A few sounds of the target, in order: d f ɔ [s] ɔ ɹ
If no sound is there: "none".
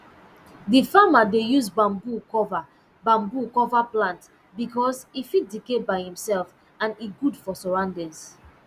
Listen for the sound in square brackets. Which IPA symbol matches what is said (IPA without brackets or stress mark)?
s